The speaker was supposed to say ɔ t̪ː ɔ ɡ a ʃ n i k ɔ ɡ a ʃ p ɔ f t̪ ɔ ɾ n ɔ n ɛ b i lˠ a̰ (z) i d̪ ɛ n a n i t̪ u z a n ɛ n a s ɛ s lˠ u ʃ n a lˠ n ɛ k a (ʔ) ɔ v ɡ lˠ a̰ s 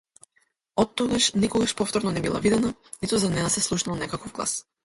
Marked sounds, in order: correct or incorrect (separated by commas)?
incorrect, incorrect